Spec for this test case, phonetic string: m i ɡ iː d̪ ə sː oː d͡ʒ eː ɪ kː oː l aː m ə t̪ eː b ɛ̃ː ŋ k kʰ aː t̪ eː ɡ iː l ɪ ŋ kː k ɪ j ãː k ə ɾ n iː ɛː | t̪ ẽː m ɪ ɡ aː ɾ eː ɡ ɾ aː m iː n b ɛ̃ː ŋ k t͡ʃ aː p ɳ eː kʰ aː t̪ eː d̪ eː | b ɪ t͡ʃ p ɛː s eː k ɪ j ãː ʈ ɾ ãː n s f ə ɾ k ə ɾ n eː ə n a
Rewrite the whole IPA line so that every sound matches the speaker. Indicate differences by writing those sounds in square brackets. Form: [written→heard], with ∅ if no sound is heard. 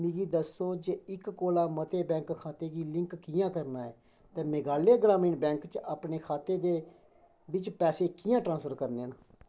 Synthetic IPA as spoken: m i ɡ iː d̪ ə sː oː d͡ʒ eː ɪ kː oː l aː m ə t̪ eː b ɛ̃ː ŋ k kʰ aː t̪ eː ɡ iː l ɪ ŋ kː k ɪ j ãː k ə ɾ n [iː→aː] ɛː | t̪ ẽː m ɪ ɡ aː [ɾ→l] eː ɡ ɾ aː m iː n b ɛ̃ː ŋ k t͡ʃ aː p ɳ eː kʰ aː t̪ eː d̪ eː | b ɪ t͡ʃ p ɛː s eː k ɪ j ãː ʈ ɾ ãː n s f ə ɾ k ə ɾ n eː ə n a